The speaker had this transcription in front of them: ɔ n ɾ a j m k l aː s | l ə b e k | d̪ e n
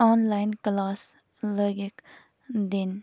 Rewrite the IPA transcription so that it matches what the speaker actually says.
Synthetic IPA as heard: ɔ n l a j n k l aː s | l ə ɡ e k | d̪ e n